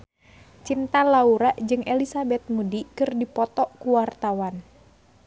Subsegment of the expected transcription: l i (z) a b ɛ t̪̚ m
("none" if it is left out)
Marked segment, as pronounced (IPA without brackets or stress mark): s